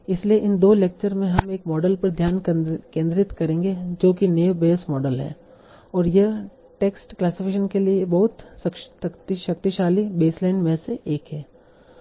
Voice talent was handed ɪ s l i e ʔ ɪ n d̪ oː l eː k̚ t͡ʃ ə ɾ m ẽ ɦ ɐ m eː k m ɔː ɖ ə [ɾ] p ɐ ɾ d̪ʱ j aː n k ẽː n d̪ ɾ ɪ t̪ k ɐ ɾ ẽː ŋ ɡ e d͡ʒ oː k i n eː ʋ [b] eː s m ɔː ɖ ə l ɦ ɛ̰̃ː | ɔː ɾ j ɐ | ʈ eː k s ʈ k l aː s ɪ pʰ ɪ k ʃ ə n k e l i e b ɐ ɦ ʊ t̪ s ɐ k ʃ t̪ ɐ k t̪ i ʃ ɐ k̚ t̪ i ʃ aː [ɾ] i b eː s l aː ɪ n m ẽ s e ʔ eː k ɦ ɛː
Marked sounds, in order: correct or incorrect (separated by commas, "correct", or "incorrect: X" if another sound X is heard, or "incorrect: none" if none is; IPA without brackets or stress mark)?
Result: incorrect: l, correct, incorrect: l